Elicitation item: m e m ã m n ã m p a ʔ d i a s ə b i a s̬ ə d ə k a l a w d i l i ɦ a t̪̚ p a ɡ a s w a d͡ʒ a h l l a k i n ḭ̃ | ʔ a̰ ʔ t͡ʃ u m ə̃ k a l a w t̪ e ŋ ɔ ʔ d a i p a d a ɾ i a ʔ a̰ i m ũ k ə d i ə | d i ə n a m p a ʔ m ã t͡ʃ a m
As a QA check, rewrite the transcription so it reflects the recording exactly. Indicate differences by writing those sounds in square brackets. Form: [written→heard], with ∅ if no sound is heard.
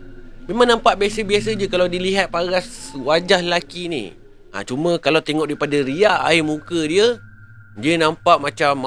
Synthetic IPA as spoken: m e m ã [m→ŋ] n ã m p a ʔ [d→b] i a s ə b i a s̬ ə [d→d͡ʒ] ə k a l a w d i l i ɦ a t̪̚ p a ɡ a s w a d͡ʒ a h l l a k i n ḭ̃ | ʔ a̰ [ʔ→∅] t͡ʃ u m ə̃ k a l a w t̪ e ŋ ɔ ʔ d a i p a d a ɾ i a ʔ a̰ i m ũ k ə d i ə | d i ə n a m p a ʔ m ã t͡ʃ a m